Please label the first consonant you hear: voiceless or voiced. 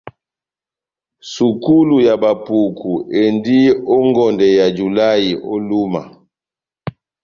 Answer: voiceless